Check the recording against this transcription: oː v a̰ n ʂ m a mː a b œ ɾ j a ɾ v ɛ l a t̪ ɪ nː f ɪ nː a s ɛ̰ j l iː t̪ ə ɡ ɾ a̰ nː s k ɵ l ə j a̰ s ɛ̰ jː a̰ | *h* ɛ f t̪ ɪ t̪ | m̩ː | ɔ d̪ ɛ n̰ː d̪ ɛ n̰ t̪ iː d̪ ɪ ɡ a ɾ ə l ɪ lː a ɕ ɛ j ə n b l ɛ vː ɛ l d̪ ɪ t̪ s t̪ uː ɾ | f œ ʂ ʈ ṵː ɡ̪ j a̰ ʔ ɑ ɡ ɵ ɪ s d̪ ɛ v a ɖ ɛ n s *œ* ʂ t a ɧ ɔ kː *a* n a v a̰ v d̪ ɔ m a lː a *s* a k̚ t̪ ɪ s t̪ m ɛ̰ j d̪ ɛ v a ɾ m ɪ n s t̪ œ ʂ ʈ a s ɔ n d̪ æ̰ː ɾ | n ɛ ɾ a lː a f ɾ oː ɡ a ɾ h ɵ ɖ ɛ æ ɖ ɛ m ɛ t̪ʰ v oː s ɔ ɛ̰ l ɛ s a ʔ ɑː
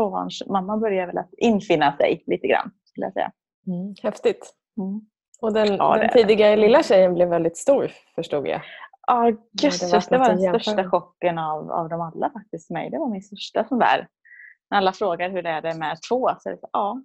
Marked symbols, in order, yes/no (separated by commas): yes, yes, no, no